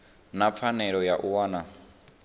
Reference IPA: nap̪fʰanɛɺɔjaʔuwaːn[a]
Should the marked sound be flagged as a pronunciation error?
no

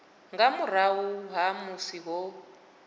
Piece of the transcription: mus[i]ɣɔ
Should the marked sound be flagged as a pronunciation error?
no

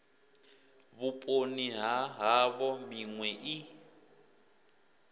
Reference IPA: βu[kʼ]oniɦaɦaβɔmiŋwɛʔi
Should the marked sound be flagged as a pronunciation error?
yes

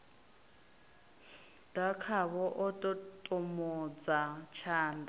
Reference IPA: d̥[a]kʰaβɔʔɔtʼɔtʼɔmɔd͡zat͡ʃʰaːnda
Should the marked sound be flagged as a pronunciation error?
no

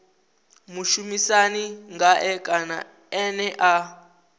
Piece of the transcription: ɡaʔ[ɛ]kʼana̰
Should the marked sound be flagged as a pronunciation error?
no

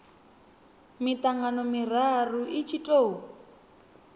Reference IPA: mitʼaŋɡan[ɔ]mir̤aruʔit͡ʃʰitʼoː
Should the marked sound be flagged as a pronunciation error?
no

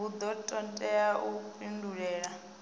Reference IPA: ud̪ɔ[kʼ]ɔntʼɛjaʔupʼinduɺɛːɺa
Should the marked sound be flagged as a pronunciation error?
yes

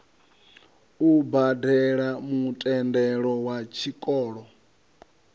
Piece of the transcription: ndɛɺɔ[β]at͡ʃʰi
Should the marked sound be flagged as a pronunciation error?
yes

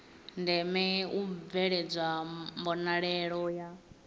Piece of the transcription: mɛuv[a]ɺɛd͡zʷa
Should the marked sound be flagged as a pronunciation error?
yes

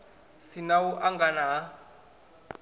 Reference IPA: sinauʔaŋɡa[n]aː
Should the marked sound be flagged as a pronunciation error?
no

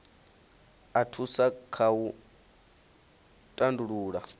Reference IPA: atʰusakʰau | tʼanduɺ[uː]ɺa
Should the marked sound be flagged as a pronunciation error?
no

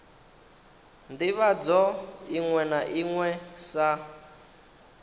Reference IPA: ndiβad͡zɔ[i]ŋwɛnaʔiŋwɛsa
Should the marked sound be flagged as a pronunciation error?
no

